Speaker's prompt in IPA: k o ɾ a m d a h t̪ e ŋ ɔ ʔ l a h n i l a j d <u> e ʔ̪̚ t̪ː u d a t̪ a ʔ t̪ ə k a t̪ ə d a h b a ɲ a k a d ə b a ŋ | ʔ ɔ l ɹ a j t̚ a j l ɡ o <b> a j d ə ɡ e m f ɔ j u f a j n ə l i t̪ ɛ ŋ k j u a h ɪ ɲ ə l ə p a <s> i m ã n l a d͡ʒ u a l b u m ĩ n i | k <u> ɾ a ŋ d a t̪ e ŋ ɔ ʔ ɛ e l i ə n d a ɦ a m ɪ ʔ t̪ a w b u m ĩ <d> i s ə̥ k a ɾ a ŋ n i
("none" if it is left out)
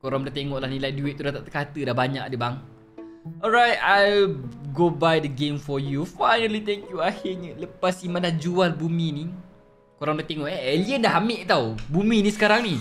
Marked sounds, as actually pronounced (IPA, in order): u, b, s, o, n

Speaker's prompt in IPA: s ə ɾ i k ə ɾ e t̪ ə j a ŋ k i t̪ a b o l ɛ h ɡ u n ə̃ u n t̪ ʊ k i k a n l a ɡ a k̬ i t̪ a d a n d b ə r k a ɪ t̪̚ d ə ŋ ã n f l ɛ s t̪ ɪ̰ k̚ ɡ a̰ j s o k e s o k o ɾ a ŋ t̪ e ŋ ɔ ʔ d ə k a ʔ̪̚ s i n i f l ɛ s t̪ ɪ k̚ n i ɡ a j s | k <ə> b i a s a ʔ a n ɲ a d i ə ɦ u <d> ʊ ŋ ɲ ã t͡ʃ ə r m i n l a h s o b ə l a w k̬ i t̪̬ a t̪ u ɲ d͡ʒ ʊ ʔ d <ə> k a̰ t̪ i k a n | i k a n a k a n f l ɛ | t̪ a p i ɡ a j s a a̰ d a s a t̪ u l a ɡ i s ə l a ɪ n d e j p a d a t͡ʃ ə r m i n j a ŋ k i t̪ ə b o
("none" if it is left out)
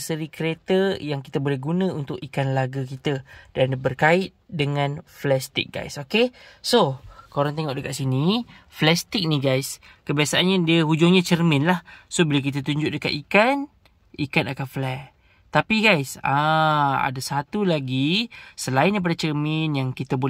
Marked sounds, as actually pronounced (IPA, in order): ə, d͡ʒ, ə

